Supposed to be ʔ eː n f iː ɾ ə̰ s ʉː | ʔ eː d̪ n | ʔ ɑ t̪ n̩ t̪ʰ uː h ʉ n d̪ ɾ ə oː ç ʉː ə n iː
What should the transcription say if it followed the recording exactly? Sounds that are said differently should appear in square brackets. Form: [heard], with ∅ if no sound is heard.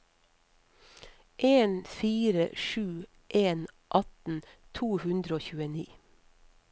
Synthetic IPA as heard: ʔ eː n f iː ɾ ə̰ [ʃ] ʉː | ʔ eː [∅] n | ʔ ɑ t̪ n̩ t̪ʰ uː h ʉ n d̪ ɾ ə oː ç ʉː ə n iː

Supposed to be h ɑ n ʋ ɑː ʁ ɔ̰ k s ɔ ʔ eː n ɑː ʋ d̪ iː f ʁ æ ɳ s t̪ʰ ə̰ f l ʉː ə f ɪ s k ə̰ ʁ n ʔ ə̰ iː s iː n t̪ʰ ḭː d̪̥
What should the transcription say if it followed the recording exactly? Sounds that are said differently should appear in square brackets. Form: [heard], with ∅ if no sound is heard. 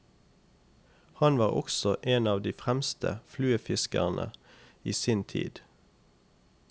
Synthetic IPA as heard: h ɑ n ʋ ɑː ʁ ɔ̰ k s ɔ ʔ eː n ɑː ʋ d̪ iː f ʁ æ [m] s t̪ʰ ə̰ f l ʉː ə f ɪ s k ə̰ ʁ n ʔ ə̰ iː s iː n t̪ʰ ḭː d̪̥

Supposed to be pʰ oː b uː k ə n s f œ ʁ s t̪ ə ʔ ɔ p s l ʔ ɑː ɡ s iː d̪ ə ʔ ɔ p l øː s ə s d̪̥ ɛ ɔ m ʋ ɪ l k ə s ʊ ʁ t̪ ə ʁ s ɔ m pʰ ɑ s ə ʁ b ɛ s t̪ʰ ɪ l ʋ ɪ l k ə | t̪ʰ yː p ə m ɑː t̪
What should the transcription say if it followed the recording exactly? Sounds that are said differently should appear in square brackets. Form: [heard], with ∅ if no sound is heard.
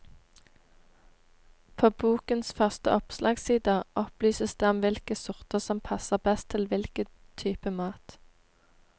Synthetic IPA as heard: pʰ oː b uː k ə n s f œ ʁ s t̪ ə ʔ ɔ p s l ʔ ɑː ɡ s iː d̪ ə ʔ ɔ p l [yː] s ə s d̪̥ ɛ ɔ m ʋ ɪ l k ə s ʊ ʁ t̪ ə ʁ s ɔ m pʰ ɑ s ə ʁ b ɛ s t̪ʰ ɪ l ʋ ɪ l k ə | t̪ʰ yː p ə m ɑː t̪

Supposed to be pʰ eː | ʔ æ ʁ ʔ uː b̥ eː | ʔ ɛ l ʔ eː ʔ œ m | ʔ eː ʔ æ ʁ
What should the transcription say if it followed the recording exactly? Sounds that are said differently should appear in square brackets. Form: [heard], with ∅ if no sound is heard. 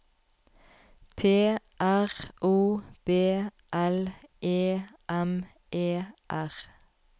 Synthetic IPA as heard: pʰ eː | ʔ æ ʁ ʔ uː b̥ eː | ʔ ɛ l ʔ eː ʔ [ɛ] m | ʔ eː ʔ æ ʁ

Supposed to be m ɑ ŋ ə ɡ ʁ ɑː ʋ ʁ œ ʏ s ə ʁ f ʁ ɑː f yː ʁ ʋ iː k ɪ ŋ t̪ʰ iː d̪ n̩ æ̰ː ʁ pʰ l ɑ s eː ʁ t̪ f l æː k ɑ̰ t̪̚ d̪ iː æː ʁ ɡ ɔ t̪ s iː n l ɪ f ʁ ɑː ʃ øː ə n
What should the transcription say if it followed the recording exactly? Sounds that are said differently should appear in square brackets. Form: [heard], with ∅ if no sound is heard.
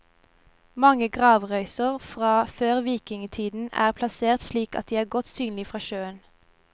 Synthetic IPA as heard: m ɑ ŋ ə ɡ ʁ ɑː ʋ ʁ œ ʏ s ə ʁ f ʁ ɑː f [øː] ʁ ʋ iː k ɪ ŋ t̪ʰ iː d̪ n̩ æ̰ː ʁ pʰ l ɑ s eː ʁ t̪ [ʃ] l [iː] k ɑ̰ t̪̚ d̪ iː æː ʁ ɡ ɔ t̪ s [yː] n l ɪ f ʁ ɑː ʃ øː ə n

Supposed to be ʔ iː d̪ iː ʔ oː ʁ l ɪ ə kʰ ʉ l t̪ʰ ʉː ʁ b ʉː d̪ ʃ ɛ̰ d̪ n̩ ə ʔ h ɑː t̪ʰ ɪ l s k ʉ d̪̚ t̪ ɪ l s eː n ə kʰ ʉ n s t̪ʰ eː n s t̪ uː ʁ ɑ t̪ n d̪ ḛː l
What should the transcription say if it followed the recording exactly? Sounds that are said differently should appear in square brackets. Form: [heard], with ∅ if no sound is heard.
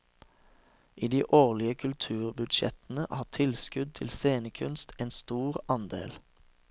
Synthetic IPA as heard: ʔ iː d̪ iː ʔ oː ʁ l ɪ ə kʰ ʉ l t̪ʰ ʉː ʁ b [ʉ] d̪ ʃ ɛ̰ [t̪] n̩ ə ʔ h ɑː t̪ʰ ɪ l s k ʉ d̪̚ [t̪ʰ] ɪ l s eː n ə kʰ ʉ n s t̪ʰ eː n s t̪ uː ʁ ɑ [∅] n d̪ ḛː l

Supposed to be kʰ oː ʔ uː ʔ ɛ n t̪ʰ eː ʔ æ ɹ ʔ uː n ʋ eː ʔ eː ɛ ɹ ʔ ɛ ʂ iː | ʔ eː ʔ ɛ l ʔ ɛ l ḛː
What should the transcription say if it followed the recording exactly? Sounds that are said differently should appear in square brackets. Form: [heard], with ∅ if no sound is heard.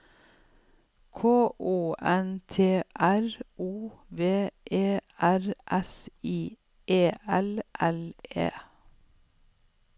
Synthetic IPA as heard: kʰ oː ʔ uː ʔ ɛ n t̪ʰ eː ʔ æ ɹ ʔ uː [∅] ʋ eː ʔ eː [æ] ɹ ʔ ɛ [s] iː | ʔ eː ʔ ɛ l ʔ ɛ l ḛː

